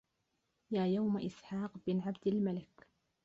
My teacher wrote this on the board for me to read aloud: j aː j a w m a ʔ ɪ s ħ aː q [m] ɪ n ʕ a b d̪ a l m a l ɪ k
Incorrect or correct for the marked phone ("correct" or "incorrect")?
incorrect